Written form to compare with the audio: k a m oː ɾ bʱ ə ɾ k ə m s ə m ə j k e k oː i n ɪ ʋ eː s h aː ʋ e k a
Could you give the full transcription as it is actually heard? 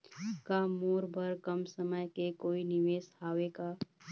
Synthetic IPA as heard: k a m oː ɾ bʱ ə ɾ k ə m s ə m ə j k e k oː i n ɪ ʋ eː s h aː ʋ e k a